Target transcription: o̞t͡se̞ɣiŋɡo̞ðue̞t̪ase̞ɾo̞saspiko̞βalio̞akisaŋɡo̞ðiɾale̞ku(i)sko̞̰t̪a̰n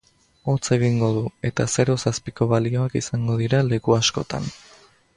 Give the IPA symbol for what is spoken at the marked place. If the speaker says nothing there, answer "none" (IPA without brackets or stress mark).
a